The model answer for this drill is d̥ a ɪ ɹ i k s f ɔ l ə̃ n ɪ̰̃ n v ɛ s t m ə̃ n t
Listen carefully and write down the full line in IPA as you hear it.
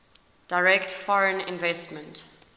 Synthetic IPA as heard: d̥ a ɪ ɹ ɛ k t f ɔ ɹ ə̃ n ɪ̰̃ n v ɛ s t m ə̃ n t